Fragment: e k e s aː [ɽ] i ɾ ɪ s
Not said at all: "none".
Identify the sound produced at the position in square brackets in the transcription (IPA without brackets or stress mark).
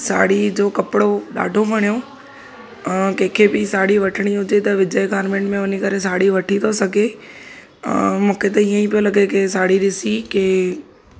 ɽ